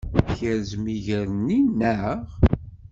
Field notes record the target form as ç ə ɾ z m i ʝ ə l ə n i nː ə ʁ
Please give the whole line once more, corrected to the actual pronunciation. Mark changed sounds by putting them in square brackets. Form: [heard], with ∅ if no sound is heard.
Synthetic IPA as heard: ç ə ɾ z m i ʝ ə [ɾ] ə n i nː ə ʁ